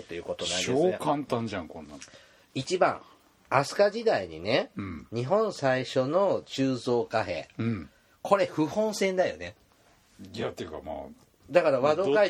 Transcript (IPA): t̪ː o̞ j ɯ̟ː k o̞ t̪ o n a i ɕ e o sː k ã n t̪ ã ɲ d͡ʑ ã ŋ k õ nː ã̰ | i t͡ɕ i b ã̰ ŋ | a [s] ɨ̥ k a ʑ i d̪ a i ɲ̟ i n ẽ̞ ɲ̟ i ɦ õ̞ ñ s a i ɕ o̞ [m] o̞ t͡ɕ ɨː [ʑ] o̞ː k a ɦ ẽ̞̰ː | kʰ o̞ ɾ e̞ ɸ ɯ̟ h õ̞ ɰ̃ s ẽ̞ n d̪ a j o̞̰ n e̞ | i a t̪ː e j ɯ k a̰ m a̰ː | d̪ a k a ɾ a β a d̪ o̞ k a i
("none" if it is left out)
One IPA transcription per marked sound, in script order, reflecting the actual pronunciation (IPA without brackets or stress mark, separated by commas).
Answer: s, n, z